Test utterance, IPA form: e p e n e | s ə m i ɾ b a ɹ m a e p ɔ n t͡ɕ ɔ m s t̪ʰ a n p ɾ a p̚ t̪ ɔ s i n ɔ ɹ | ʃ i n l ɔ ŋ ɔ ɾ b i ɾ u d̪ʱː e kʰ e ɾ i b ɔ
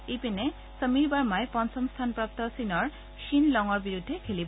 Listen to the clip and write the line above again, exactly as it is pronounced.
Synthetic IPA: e p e n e | s ə m i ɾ b a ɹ m a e p ɔ n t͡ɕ ɔ m s t̪ʰ a n p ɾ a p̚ t̪ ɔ s i n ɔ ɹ | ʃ i n l ɔ ŋ ɔ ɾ b i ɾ u d̪ʱː e kʰ e l i b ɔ